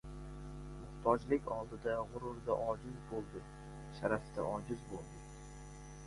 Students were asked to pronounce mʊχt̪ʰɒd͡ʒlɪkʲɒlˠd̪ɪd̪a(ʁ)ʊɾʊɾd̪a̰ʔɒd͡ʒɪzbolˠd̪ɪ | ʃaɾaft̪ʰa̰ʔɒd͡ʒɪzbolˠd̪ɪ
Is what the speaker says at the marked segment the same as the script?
yes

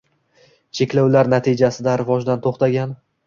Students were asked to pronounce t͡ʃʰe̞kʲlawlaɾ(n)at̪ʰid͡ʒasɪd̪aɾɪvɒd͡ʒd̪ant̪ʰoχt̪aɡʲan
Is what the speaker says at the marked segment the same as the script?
yes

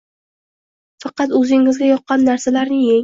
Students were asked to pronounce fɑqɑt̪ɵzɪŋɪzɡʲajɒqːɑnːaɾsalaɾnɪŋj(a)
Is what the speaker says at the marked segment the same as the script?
no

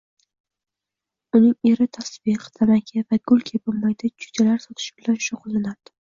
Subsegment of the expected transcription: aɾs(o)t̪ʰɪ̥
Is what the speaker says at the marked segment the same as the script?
no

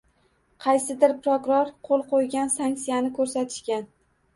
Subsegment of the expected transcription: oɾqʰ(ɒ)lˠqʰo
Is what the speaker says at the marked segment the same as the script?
no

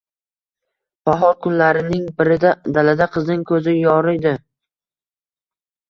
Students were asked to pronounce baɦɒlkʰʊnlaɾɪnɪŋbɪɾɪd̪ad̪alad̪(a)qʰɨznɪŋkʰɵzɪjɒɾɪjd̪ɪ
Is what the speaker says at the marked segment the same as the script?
yes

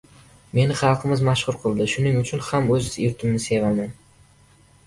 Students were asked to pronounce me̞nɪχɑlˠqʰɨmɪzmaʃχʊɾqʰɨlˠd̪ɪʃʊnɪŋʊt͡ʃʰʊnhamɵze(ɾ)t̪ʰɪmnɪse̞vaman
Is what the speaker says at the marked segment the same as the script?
yes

